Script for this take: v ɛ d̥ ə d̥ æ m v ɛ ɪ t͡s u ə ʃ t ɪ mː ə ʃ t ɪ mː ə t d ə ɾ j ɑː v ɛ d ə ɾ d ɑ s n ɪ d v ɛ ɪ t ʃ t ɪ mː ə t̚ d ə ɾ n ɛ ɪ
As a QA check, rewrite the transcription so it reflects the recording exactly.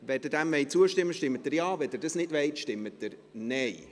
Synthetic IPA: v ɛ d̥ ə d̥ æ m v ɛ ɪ t͡s u ə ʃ t ɪ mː ə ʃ t ɪ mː ə t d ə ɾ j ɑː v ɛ d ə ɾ d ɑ s n ɪ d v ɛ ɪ t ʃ t ɪ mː ə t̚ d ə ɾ n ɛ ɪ